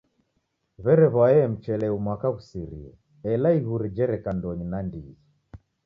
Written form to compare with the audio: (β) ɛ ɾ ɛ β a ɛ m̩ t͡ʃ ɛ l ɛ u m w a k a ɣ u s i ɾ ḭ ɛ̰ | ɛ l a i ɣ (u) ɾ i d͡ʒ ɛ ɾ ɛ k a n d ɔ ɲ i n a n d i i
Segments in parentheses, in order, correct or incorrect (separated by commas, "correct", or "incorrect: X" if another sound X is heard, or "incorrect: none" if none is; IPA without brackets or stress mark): correct, correct